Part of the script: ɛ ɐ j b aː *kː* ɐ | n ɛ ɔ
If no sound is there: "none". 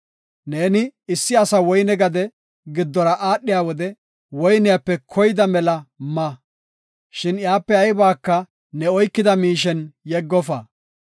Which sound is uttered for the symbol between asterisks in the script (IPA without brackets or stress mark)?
kː